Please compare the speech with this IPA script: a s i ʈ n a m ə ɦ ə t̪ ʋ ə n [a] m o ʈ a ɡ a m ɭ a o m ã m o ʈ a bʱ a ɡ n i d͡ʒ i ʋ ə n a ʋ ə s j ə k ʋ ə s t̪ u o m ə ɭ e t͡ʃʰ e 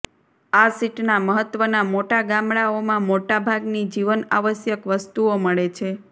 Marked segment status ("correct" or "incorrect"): correct